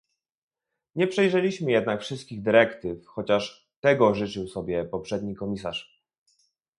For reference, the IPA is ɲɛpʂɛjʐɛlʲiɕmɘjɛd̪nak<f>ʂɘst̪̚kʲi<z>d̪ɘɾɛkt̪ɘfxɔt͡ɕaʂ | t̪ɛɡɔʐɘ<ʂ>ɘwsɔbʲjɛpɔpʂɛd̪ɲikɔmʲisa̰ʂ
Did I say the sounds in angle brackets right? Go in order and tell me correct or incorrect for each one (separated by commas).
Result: correct, incorrect, incorrect